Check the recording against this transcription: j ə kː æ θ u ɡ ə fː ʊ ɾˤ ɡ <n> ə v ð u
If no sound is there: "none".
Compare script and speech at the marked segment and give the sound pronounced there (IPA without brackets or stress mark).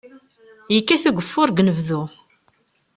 n